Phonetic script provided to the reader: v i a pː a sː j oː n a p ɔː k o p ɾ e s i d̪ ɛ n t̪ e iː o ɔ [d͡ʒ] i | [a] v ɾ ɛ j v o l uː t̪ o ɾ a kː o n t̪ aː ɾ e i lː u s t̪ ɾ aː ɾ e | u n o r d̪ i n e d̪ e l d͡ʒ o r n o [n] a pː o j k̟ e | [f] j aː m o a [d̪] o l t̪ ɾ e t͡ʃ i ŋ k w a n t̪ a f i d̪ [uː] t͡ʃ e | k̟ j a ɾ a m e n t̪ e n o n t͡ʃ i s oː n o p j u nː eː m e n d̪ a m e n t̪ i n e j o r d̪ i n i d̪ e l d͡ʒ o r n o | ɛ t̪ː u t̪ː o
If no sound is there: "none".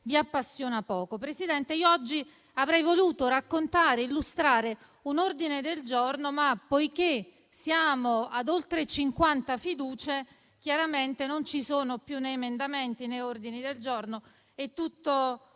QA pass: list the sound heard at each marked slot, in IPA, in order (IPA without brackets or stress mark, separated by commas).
d͡ʒː, a, m, s, d̪, uː